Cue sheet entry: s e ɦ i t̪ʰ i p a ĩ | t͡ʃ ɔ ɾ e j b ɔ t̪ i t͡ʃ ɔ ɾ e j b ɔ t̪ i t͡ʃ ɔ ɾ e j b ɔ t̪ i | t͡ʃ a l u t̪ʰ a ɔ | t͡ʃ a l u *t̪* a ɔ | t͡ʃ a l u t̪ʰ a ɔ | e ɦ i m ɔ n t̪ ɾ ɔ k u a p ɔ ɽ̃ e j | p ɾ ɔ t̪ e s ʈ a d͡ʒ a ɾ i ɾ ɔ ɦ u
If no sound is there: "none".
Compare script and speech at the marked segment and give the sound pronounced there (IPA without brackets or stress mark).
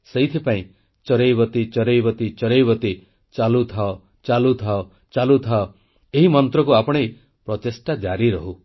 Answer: t̪ʰ